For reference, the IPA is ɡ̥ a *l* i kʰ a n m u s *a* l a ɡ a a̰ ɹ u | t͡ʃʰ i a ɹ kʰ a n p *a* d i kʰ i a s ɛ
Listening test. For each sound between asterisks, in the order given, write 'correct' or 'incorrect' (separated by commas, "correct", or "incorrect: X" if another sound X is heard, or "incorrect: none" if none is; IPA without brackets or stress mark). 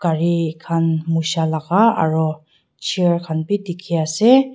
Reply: incorrect: ɹ, correct, incorrect: i